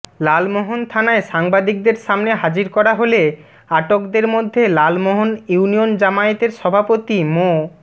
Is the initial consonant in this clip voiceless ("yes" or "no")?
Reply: no